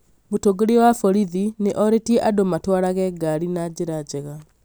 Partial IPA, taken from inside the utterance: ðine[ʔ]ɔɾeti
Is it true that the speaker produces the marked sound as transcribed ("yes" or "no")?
yes